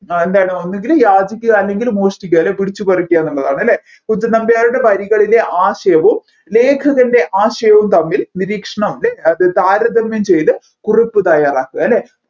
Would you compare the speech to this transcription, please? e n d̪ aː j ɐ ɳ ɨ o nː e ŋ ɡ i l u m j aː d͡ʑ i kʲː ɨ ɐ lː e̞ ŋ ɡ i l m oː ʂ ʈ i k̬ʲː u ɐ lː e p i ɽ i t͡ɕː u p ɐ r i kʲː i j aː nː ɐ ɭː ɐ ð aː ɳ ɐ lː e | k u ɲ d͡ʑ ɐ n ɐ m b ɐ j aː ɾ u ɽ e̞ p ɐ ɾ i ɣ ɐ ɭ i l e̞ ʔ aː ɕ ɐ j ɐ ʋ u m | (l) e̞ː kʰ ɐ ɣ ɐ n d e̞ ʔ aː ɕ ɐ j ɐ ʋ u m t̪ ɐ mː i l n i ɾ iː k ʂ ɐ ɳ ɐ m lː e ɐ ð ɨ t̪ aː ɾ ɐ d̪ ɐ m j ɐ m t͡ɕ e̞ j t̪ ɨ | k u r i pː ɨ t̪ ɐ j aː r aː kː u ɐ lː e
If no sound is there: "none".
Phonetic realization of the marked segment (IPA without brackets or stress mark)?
l